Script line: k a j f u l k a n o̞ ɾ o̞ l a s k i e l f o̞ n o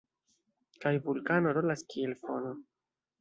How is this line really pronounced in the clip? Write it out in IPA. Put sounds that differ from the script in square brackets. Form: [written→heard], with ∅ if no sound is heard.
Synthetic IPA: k a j [f→v] u l k a n o̞ ɾ o̞ l a s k i e l f o̞ n o